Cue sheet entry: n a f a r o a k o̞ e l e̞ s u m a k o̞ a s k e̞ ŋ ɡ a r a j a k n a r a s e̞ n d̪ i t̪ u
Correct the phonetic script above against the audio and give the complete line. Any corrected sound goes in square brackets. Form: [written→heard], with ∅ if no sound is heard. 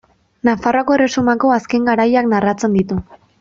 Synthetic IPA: n a f a r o a k o̞ e [l→r] e̞ s u m a k o̞ a s k e̞ ŋ ɡ a [r→ɾ] a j a k n a r a [s→t͡s] e̞ n d̪ i t̪ u